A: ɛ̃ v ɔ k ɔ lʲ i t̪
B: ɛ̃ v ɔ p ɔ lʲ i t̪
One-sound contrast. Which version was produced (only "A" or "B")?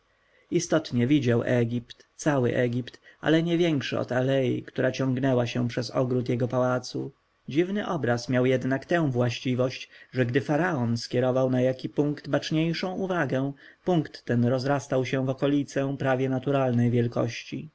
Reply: A